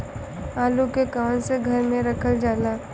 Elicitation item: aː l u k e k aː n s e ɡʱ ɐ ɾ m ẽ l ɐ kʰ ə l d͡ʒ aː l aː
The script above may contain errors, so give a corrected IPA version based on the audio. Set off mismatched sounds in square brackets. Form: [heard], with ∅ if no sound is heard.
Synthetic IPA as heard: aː l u k e k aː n s e ɡʱ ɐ ɾ m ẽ [ɾ] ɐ kʰ ə l d͡ʒ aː l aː